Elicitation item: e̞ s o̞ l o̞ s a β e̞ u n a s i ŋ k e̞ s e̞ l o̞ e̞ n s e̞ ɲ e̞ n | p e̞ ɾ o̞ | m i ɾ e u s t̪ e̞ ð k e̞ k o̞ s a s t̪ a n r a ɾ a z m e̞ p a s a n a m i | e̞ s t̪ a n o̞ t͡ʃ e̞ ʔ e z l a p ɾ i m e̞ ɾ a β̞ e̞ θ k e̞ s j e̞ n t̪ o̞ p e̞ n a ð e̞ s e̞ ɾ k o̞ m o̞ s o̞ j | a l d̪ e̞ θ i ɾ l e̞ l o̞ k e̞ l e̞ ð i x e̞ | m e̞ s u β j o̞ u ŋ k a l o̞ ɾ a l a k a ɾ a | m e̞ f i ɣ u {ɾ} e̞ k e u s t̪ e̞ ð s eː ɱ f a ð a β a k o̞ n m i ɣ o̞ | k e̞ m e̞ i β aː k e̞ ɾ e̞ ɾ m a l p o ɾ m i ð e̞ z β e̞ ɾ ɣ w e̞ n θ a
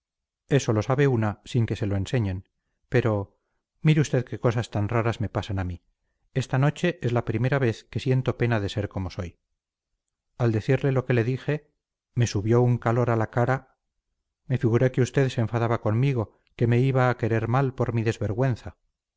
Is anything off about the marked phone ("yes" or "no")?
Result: no